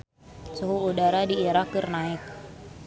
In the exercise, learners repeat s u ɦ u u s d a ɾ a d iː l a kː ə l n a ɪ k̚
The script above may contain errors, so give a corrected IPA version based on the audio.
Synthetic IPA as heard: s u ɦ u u d a ɾ a d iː ɾ a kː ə r n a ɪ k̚